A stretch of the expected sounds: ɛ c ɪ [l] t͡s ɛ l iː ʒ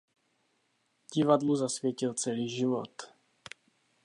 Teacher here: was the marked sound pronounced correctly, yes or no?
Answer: yes